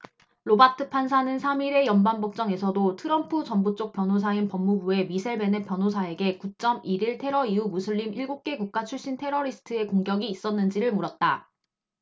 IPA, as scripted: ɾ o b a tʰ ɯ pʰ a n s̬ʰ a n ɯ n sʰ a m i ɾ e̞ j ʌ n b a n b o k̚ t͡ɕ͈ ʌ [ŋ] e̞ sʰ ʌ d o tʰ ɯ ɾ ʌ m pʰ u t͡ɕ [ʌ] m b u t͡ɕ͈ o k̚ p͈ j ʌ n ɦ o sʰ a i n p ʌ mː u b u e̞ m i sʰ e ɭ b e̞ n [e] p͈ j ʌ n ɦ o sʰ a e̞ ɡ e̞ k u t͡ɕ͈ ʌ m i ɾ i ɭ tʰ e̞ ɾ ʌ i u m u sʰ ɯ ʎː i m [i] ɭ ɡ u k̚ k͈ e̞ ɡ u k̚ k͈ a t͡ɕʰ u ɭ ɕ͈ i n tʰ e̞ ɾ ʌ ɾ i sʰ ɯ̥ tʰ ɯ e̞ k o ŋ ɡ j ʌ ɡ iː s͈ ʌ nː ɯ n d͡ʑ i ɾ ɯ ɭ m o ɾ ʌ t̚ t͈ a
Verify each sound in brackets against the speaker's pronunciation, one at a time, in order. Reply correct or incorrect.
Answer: correct, correct, correct, correct

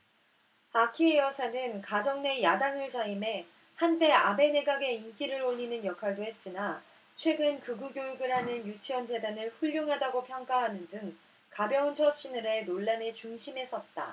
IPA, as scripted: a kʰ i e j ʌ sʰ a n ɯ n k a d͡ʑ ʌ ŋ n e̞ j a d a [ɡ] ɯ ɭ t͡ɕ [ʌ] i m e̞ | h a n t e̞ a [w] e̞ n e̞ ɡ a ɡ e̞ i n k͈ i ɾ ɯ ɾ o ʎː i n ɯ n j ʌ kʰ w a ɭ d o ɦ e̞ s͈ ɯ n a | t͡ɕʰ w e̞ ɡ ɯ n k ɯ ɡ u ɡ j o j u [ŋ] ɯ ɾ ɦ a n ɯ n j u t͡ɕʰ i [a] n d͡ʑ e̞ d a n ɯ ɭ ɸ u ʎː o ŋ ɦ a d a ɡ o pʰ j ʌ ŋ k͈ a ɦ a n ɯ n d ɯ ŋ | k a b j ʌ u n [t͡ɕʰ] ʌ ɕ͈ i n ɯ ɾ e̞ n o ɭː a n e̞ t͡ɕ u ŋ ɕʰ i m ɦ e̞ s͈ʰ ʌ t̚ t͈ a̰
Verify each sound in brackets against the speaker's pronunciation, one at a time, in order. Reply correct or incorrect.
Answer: incorrect: ŋ, incorrect: a, incorrect: b, incorrect: ɡ, incorrect: ʌ, correct

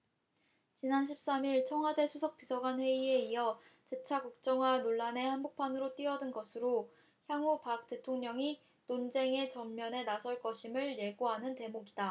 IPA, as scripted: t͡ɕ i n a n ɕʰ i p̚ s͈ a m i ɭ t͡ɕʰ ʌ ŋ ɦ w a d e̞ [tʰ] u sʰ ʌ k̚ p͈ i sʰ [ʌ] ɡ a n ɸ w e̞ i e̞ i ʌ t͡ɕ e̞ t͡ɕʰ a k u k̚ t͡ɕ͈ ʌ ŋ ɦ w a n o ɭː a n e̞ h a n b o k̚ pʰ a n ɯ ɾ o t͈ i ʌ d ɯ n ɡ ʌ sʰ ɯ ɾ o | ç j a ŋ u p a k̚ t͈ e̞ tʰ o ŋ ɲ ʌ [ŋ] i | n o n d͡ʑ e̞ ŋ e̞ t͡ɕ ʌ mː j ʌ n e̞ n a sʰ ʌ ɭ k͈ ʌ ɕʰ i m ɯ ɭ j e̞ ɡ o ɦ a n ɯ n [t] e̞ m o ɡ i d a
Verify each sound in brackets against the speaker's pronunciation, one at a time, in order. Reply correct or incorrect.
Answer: incorrect: sʰ, correct, correct, correct

